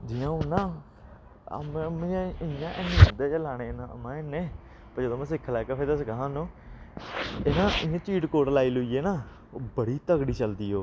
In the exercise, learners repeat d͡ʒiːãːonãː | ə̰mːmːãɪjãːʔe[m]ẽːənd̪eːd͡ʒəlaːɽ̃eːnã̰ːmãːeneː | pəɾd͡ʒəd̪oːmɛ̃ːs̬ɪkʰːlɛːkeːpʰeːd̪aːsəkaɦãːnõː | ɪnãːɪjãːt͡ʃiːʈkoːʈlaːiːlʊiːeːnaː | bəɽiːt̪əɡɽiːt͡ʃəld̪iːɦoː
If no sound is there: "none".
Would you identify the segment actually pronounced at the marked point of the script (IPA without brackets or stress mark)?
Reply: n